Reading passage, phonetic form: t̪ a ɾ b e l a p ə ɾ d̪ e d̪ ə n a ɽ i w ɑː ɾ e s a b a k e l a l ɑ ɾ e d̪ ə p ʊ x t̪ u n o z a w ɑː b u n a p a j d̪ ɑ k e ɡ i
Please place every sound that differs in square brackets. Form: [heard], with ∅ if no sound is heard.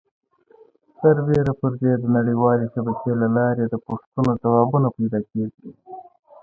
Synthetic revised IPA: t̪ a ɾ b e [ɾ] a p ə ɾ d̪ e d̪ ə n a ɽ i w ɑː [l] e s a b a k e l a l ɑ ɾ e d̪ ə p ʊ [ʂ] t̪ u n o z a w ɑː b u n a p a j d̪ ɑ k e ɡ i